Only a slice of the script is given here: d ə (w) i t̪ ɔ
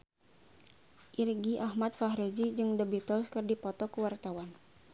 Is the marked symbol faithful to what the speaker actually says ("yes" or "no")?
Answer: no